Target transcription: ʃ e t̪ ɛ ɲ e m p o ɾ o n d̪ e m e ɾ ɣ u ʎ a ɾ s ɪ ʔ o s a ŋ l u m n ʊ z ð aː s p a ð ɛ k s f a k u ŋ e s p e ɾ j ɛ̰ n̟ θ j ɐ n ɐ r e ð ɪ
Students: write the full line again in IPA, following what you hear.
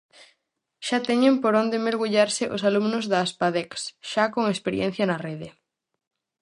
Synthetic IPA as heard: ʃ a t̪ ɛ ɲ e m p o ɾ o n d̪ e m e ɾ ɣ u ʎ a ɾ s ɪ ʔ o s a l u m n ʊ z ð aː s p a ð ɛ k s ʃ a k o ŋ e s p e ɾ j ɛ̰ n̟ θ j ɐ n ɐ r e ð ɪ

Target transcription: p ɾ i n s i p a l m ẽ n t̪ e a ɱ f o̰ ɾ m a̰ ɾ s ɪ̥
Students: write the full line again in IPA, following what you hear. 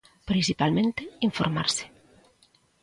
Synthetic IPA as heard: p ɾ i n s i p a l m ẽ n t̪ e i ɱ f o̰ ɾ m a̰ ɾ s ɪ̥

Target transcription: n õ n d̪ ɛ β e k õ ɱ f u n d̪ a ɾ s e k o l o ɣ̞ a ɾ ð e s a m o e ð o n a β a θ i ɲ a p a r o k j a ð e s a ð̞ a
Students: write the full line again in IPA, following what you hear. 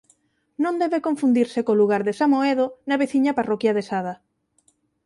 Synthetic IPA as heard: n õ n d̪ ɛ β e k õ ɱ f u n d̪ i ɾ s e k o l u ɣ̞ a ɾ ð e s a m o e ð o n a β e θ i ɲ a p a r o k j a ð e s a ð̞ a

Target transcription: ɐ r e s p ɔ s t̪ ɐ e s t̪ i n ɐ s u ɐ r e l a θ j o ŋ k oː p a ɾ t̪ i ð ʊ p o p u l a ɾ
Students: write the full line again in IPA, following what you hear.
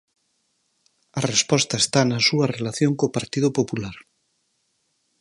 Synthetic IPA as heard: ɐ r e s p ɔ s t̪ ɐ e s t̪ a n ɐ s u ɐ r e l a θ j o ŋ k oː p a ɾ t̪ i ð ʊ p o p u l a ɾ

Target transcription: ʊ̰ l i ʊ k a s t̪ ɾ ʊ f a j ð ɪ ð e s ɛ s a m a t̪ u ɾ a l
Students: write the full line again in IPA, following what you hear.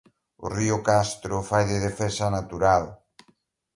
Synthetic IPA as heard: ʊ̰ r i ʊ k a s t̪ ɾ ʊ f a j ð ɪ ð e f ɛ s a n a t̪ u ɾ a l

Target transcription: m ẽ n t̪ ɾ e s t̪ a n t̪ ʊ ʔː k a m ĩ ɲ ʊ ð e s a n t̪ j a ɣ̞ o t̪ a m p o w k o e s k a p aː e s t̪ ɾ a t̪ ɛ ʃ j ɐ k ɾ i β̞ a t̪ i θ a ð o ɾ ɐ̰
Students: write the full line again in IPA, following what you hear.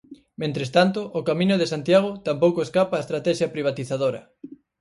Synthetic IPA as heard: m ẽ n t̪ ɾ e s t̪ a n t̪ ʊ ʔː k a m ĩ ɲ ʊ ð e s a n t̪ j a ɣ̞ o t̪ a m p o w k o e s k a p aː e s t̪ ɾ a t̪ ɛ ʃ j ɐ p ɾ i β̞ a t̪ i θ a ð o ɾ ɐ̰

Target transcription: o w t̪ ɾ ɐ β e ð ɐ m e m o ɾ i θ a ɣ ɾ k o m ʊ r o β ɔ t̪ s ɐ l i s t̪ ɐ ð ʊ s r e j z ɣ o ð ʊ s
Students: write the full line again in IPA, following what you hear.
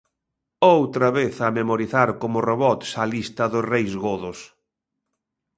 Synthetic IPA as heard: o w t̪ ɾ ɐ β e θ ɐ m e m o ɾ i θ a ɾ k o m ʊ r o β ɔ t̪ s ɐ l i s t̪ ɐ ð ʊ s r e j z ɣ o ð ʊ s

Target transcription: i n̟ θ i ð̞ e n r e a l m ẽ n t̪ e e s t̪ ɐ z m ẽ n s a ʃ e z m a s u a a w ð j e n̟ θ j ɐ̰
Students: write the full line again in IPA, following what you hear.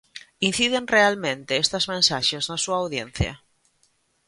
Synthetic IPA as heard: i n̟ θ i ð̞ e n r e a l m ẽ n t̪ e e s t̪ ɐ z m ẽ n s a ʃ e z n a s u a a w ð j e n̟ θ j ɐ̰

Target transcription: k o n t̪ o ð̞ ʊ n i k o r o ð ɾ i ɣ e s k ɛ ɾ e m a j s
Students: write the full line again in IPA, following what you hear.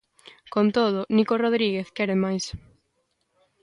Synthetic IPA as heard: k o n t̪ o ð̞ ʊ n i k o r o ð ɾ i ɣ e θ k ɛ ɾ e m a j s

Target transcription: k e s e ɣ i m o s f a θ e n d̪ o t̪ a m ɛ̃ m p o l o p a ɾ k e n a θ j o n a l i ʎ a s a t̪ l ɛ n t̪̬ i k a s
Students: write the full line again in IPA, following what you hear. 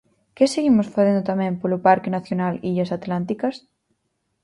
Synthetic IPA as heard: k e s e ɣ i m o s f a θ e n d̪ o t̪ a m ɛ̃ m p o l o p a ɾ k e n a θ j o n a l i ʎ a s a t̪ l a n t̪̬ i k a s

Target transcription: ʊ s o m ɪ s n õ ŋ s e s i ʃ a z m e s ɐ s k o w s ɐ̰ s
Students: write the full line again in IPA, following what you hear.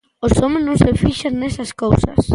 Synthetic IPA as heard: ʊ s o m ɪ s n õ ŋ s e f i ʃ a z n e s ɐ s k o w s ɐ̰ s

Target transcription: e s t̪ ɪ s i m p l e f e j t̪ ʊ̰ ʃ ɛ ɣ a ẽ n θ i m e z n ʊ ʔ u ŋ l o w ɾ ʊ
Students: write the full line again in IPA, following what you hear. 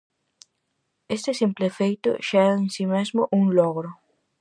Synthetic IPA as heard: e s t̪ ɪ s i m p l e f e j t̪ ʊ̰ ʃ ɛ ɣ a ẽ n s i m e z m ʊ ʔ u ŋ l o ɣ ɾ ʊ

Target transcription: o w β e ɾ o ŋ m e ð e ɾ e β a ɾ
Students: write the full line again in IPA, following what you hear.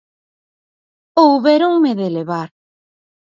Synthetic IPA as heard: o w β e ɾ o ŋ m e ð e l e β a ɾ

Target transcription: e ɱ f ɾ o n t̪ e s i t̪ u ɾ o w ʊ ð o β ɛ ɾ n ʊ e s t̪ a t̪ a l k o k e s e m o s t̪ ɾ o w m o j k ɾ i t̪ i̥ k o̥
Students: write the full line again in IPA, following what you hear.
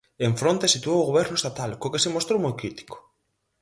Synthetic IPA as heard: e ɱ f ɾ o n t̪ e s i t̪ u o w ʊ ɣ o β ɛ ɾ n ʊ e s t̪ a t̪ a l k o k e s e m o s t̪ ɾ o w m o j k ɾ i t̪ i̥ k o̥

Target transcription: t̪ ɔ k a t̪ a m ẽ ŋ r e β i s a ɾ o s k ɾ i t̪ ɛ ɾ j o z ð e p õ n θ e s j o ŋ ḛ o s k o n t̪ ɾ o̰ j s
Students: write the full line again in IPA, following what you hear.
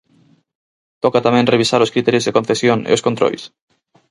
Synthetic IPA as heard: t̪ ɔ k a t̪ a m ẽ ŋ r e β i s a ɾ o s k ɾ i t̪ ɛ ɾ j o z ð e k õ n θ e s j o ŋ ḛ o s k o n t̪ ɾ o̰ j s

